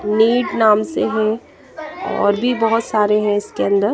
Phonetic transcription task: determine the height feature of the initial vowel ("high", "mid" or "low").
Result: high